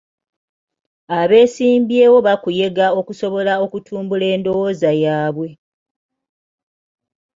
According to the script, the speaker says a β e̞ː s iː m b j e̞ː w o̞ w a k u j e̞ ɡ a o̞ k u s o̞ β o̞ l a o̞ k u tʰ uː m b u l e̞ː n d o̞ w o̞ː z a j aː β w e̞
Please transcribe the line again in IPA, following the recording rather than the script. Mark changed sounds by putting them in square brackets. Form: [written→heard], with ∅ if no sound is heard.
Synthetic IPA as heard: a β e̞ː s iː m b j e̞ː w o̞ [w→β] a k u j e̞ ɡ a o̞ k u s o̞ β o̞ l a o̞ k u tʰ uː m b u l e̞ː n d o̞ w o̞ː z a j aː β w e̞